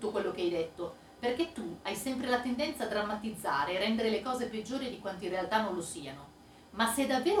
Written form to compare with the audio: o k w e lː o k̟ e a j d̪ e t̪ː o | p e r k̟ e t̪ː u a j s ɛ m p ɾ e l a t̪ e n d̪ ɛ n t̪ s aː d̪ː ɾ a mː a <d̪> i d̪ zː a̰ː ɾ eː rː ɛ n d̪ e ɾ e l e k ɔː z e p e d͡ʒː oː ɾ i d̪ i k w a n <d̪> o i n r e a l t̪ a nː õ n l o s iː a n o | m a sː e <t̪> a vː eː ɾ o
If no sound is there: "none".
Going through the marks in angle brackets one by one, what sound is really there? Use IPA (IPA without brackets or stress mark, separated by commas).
t̪, t̪, d̪